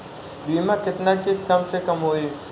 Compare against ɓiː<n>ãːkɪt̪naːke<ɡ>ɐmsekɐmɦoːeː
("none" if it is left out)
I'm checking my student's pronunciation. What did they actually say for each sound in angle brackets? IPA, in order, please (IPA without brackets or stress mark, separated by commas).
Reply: m, k